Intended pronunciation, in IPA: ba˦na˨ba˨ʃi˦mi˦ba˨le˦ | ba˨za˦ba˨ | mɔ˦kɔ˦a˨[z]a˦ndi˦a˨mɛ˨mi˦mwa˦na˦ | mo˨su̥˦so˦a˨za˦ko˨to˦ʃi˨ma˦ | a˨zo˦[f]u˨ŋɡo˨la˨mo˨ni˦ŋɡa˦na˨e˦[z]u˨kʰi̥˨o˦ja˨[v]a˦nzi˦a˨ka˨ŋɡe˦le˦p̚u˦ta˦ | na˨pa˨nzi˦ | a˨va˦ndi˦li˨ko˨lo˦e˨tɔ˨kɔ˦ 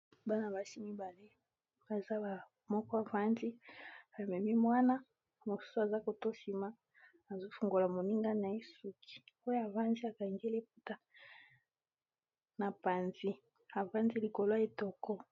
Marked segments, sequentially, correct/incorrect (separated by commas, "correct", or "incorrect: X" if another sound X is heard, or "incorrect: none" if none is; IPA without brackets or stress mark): incorrect: v, correct, incorrect: s, correct